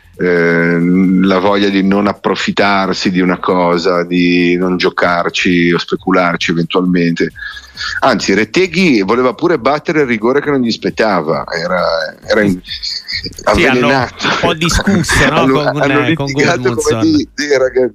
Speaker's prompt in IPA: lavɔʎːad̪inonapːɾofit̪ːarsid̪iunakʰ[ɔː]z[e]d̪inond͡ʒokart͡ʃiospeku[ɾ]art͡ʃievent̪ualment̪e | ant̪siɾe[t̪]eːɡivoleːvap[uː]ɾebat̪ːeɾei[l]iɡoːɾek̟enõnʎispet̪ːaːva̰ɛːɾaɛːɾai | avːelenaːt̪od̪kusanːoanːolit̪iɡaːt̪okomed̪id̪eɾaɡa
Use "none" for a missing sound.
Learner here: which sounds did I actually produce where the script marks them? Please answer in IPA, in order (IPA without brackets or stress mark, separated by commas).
ɔː, a, l, t̪, uː, r